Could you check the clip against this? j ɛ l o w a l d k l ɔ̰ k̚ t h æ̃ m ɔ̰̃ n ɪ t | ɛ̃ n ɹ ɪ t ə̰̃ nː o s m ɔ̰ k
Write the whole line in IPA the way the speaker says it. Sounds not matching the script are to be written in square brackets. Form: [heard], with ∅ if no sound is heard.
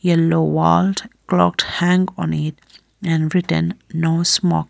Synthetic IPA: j ɛ l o w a l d k l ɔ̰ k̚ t h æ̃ [ŋ] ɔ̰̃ n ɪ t | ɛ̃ n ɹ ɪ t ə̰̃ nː o s m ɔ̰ k